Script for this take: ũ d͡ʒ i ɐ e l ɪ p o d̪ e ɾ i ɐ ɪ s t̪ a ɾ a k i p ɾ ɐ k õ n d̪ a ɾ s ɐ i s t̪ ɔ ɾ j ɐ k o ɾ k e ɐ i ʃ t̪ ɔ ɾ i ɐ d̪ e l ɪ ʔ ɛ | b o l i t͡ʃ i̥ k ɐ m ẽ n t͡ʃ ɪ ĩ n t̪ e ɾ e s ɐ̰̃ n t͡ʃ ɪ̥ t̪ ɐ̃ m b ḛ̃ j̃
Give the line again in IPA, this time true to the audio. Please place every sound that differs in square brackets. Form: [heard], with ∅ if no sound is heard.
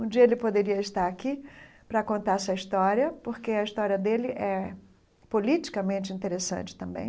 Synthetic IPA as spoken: ũ d͡ʒ i ɐ e l ɪ p o d̪ e ɾ i ɐ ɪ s t̪ a ɾ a k i p ɾ ɐ k õ n [t̪] a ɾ s ɐ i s t̪ ɔ ɾ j ɐ [p] o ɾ k e ɐ i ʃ t̪ ɔ ɾ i ɐ d̪ e l ɪ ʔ ɛ | [p] o l i t͡ʃ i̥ k ɐ m ẽ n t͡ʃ ɪ ĩ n t̪ e ɾ e s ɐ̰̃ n t͡ʃ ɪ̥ t̪ ɐ̃ m b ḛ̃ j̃